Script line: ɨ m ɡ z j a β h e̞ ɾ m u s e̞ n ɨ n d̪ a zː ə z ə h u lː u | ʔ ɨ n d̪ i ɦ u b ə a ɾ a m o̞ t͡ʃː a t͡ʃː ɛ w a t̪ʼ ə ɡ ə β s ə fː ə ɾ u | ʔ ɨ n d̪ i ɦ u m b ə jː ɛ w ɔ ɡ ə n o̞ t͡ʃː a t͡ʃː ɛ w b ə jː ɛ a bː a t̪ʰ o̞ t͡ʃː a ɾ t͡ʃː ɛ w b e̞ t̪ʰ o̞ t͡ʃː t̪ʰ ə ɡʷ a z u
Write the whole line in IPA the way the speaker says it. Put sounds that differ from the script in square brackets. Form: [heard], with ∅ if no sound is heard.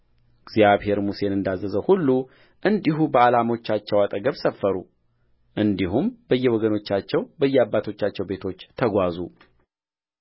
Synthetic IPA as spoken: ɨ [∅] ɡ z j a β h e̞ ɾ m u s e̞ n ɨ n d̪ a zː ə z ə h u lː u | ʔ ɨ n d̪ i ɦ u b ə a [l] a m o̞ t͡ʃː a t͡ʃː ɛ w a t̪ʼ ə ɡ ə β s ə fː ə ɾ u | ʔ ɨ n d̪ i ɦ u m b ə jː ɛ w ɔ ɡ ə n o̞ t͡ʃː a t͡ʃː ɛ w b ə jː ɛ a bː a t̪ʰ o̞ t͡ʃː a [∅] t͡ʃː ɛ w b e̞ t̪ʰ o̞ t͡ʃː t̪ʰ ə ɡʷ a z u